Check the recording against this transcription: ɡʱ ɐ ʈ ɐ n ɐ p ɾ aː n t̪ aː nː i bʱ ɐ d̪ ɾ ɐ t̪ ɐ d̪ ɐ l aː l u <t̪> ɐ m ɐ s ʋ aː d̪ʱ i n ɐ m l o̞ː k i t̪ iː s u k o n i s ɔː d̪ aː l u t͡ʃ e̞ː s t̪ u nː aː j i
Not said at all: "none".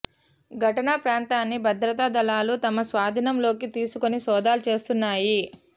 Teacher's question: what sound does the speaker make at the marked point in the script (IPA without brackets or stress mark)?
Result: t̪